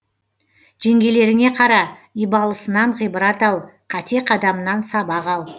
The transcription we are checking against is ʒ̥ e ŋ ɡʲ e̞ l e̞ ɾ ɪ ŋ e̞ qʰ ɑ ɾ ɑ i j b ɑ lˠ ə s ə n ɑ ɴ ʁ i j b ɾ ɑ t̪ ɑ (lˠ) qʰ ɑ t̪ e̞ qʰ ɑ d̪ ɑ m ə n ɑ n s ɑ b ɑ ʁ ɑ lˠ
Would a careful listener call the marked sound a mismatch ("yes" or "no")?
no